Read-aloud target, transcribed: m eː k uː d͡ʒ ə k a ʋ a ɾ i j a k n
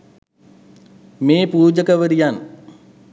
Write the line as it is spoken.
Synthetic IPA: m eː p uː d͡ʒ ə k ə ʋ ə ɾ i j a n